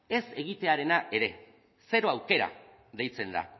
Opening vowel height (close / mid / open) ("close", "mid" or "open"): mid